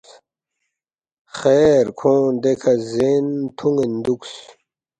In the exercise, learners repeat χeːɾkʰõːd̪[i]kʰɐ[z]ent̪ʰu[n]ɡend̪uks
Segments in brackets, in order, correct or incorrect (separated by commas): incorrect, correct, incorrect